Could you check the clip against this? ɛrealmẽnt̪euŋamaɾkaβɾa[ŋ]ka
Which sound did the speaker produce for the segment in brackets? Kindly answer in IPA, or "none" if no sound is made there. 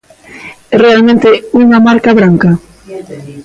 ŋ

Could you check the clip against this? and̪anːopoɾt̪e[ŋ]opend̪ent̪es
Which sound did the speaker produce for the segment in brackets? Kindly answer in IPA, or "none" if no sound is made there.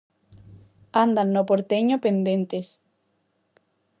ɲ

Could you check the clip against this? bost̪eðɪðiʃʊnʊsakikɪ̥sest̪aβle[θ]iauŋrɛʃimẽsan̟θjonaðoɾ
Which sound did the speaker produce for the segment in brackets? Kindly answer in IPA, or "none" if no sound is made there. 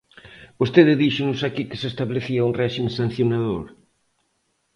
θ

